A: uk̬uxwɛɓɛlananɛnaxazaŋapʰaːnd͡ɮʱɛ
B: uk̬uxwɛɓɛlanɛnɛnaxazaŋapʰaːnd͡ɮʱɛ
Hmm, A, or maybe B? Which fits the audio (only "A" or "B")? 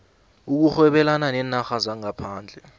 A